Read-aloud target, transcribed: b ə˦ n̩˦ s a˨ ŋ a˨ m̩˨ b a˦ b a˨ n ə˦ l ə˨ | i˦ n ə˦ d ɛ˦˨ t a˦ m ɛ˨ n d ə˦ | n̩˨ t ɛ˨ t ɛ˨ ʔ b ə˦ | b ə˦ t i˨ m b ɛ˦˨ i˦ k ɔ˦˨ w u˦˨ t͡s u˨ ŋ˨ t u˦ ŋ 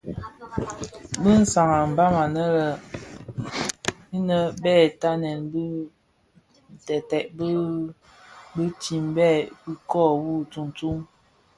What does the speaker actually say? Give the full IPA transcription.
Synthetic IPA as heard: b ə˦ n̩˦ s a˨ ŋ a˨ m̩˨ b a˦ m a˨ n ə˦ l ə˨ | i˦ n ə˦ b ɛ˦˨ t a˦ n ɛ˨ n b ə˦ | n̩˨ t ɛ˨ t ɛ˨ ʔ b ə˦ | b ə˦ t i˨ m b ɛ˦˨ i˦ k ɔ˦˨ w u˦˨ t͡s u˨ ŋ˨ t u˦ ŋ

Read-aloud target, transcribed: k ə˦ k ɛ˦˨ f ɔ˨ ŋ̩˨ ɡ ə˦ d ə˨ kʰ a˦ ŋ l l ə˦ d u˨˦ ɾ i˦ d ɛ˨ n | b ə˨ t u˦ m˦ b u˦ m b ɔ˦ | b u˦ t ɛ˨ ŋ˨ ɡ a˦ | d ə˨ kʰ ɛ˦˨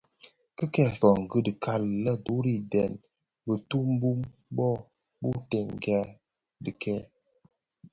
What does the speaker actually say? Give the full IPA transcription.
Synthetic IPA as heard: k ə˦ k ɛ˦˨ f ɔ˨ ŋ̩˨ ɡ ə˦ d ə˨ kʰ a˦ l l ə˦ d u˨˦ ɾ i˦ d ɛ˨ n | b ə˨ t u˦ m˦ b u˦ m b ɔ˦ | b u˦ t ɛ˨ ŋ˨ ɡ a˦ | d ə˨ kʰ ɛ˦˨

